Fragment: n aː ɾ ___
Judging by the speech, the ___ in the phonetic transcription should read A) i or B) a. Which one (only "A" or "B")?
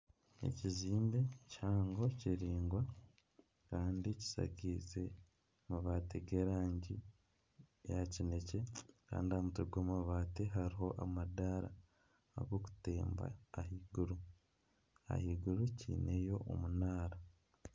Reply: B